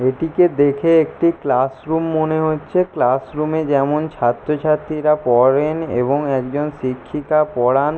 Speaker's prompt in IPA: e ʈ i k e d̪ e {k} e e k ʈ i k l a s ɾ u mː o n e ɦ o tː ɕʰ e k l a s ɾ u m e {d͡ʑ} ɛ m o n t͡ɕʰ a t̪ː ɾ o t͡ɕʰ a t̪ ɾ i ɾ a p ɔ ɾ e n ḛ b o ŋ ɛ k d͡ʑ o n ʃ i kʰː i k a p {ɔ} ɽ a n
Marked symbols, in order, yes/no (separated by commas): no, yes, yes